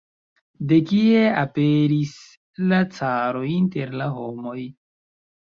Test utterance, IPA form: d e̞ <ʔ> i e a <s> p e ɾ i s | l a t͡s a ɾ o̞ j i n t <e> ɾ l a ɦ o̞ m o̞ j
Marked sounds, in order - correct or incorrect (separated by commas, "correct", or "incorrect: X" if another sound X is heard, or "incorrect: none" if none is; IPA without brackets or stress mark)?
incorrect: k, incorrect: none, correct